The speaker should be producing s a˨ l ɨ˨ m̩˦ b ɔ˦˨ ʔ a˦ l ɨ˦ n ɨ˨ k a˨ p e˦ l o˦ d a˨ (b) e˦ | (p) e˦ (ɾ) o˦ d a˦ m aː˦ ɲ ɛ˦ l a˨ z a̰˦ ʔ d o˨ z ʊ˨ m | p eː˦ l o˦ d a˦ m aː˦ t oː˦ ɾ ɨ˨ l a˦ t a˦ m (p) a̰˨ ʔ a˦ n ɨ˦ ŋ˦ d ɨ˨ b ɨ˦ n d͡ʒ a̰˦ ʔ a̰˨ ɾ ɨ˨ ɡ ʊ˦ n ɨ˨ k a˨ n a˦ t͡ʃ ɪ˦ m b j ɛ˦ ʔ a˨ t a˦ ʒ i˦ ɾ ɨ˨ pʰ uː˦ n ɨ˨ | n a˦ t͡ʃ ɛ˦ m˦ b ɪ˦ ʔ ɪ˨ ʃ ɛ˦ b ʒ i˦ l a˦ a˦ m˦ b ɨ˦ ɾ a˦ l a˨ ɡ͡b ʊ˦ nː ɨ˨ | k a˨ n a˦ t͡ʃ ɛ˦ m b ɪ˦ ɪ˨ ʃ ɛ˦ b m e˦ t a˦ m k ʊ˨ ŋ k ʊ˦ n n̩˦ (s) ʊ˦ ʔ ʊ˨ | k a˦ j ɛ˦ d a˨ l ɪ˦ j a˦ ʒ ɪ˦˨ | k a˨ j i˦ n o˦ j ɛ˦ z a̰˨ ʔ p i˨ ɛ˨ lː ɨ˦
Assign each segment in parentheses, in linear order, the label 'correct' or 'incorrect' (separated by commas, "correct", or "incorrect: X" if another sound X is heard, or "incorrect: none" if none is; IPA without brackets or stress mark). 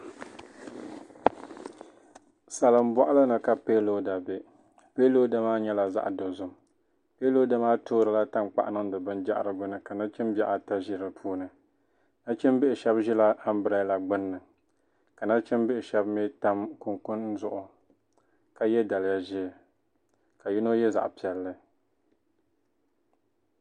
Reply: correct, correct, incorrect: l, incorrect: k͡p, incorrect: z